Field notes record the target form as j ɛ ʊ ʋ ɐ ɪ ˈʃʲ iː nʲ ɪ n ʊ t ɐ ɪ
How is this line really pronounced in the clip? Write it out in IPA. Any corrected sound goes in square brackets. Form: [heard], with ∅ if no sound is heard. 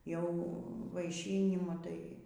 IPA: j ɛ ʊ ʋ ɐ ɪ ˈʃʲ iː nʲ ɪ [m] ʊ t ɐ ɪ